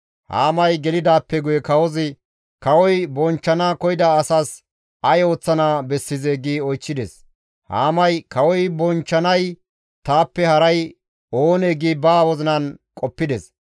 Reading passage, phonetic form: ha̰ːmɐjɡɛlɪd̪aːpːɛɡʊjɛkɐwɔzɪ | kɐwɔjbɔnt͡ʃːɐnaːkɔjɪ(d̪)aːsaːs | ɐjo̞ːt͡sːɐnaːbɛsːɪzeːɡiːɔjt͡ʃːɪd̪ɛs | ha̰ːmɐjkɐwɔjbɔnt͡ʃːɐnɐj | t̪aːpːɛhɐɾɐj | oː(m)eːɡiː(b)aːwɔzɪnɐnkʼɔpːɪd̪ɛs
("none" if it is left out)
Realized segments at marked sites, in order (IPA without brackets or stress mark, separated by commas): d̪, n, b